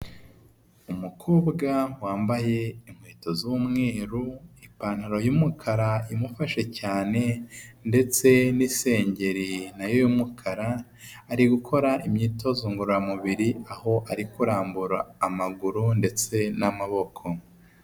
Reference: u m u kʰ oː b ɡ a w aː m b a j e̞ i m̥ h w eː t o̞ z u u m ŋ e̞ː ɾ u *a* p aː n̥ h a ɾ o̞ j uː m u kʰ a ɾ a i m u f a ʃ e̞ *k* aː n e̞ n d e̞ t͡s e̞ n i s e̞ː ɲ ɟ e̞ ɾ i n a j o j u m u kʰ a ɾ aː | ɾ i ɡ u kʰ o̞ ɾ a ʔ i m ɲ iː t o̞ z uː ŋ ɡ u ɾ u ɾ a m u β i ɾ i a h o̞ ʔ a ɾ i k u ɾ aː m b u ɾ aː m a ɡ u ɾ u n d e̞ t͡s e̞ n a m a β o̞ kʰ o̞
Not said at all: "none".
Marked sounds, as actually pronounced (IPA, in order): i, c

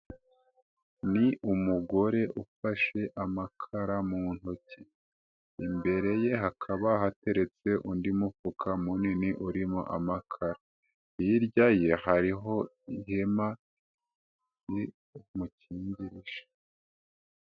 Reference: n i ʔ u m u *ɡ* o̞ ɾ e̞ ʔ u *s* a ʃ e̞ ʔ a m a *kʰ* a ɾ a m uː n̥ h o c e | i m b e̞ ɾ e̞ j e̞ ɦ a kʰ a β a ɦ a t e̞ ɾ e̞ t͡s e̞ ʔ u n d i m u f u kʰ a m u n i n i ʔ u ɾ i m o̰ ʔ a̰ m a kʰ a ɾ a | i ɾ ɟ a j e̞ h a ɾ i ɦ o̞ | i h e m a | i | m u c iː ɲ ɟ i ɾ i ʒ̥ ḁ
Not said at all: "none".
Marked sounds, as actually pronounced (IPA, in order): ɡ, f, kʰ

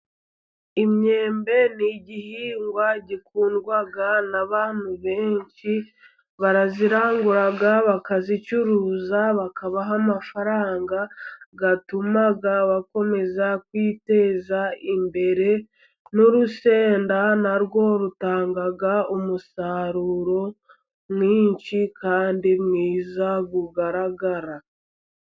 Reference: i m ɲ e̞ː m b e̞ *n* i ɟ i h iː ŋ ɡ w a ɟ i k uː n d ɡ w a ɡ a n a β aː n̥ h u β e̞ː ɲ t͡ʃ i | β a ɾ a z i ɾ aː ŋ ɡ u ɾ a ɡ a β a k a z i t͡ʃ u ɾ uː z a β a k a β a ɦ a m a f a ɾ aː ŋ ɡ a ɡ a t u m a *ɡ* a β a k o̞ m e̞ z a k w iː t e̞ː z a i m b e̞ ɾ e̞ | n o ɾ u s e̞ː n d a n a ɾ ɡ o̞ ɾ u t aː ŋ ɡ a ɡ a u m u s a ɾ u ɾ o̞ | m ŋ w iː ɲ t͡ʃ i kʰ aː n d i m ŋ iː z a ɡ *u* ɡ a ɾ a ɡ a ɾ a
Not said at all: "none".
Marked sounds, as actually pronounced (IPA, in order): n, ɡ, u

